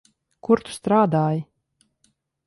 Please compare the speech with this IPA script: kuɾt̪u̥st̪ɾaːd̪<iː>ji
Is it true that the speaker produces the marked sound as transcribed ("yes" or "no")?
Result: no